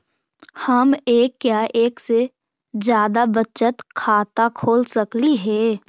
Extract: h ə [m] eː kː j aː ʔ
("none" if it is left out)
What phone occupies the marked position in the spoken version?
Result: m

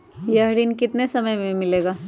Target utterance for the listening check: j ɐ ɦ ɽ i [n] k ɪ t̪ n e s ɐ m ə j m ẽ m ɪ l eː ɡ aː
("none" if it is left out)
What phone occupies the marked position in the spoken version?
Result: n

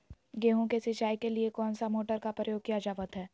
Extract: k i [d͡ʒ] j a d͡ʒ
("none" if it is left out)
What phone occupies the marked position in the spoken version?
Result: none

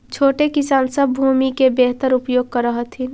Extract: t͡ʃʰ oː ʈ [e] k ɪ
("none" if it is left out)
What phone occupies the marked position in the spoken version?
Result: e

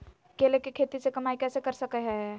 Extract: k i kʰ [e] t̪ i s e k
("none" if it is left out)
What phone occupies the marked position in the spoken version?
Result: e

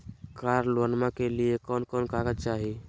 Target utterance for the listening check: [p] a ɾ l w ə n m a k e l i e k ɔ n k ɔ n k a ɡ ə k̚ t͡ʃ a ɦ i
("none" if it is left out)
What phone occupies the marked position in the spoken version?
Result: k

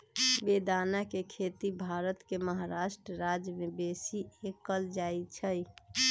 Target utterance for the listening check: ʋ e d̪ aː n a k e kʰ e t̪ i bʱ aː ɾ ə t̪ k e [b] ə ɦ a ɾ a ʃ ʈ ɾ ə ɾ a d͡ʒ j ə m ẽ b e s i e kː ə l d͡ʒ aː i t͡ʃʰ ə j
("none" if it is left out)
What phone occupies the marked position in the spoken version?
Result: m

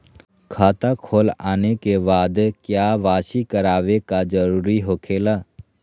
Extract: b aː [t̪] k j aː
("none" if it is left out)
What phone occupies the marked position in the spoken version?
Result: d̪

